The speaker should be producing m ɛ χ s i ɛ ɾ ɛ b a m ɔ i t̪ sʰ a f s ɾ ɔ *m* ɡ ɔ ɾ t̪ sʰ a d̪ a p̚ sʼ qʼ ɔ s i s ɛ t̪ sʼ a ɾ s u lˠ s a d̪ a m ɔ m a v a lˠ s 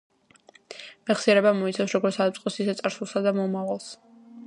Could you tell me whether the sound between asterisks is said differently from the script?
yes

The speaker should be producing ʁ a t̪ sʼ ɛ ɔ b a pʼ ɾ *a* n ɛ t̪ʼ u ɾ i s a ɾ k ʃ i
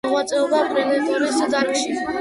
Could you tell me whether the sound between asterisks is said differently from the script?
yes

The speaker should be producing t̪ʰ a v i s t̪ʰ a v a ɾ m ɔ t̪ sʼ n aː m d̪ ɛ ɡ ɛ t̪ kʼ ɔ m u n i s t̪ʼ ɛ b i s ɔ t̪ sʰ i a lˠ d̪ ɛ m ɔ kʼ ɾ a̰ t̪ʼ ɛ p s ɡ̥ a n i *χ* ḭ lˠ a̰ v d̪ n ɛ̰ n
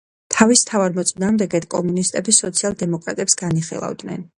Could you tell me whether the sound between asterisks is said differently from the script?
no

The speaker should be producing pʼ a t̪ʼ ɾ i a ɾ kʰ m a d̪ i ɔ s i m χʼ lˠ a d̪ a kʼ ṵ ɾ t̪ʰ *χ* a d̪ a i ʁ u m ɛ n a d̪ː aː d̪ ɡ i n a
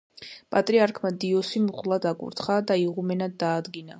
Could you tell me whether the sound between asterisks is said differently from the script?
no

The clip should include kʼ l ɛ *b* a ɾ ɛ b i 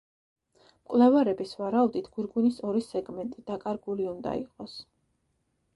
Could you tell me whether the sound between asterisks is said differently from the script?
yes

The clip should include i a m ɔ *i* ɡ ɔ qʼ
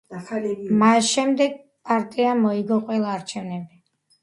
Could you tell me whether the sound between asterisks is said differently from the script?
no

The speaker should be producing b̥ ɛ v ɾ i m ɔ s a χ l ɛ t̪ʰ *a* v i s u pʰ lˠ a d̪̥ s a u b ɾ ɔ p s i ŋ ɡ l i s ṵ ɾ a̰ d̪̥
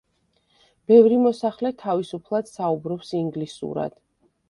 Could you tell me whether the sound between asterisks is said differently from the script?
no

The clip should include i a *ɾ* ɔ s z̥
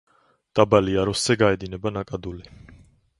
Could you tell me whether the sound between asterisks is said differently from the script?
no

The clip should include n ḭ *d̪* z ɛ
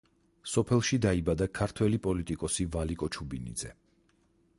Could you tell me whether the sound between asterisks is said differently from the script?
no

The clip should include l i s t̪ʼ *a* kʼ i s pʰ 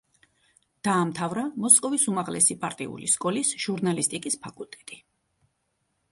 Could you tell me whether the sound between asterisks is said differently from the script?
yes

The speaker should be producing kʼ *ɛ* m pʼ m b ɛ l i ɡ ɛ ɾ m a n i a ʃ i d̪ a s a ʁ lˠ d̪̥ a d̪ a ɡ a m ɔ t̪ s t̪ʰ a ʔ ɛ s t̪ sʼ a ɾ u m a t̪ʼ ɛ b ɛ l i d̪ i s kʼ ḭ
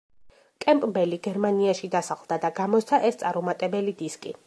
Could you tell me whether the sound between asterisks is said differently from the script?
no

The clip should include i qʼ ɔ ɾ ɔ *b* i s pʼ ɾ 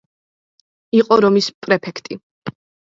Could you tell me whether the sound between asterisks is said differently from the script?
yes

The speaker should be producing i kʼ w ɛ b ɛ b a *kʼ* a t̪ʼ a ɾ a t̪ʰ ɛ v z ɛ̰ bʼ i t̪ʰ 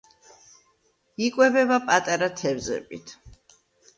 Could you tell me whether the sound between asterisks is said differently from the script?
yes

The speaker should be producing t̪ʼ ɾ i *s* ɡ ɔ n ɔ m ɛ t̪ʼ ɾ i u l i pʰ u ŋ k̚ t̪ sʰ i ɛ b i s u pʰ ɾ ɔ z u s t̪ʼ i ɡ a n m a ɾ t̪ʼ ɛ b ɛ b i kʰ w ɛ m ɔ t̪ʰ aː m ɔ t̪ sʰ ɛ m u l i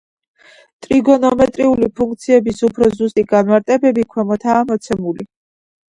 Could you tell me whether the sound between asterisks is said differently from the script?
yes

